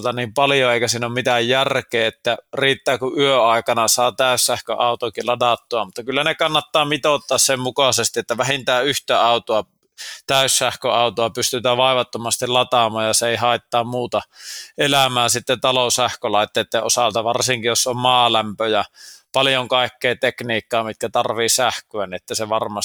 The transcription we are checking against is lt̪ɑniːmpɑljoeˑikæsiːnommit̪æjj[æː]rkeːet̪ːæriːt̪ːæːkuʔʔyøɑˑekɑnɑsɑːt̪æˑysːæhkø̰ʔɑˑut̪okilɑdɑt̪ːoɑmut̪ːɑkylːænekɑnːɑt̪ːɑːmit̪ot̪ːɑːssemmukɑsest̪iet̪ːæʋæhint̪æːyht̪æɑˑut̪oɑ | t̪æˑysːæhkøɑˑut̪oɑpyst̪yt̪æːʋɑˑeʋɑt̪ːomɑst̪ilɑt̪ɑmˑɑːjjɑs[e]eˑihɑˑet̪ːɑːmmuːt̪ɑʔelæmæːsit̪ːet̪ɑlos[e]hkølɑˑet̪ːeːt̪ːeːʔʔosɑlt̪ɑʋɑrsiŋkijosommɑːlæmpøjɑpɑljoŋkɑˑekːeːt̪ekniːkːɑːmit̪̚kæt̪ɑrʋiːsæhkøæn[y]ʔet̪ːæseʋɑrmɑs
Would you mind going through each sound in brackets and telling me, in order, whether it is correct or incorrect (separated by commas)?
incorrect, correct, incorrect, incorrect